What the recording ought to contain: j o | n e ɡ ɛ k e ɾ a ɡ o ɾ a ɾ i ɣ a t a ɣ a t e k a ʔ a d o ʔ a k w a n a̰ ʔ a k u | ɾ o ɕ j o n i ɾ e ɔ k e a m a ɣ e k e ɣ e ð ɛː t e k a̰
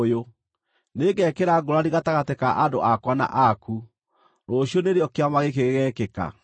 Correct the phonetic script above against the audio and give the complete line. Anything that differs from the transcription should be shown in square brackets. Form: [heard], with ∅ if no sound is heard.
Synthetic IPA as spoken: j o | n e ɡ ɛ k e ɾ a ɡ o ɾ a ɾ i ɣ a t a ɣ a t e k a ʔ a d o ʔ a k w a n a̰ ʔ a k u | ɾ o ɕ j o n [e] ɾ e ɔ k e a m a ɣ e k e ɣ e [ɣ] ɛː [k] e k a̰